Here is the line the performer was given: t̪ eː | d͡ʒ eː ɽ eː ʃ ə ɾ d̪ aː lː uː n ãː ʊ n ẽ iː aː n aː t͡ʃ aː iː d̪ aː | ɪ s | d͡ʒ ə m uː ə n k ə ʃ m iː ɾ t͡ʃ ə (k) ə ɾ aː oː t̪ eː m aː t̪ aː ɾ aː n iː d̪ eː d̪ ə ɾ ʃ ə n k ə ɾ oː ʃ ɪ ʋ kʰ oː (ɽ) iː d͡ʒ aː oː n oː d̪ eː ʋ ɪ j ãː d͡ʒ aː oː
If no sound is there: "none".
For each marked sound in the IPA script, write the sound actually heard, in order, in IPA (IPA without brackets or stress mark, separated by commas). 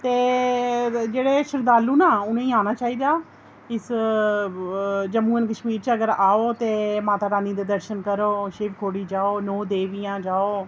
ɡ, ɽ